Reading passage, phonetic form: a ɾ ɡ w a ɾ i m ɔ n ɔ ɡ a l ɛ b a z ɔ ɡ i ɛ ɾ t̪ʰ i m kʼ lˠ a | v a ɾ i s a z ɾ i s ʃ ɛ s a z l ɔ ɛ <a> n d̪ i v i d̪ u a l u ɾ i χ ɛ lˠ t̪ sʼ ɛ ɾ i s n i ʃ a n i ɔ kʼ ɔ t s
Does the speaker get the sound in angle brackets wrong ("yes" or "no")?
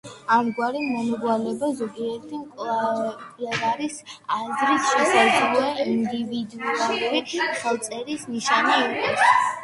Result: yes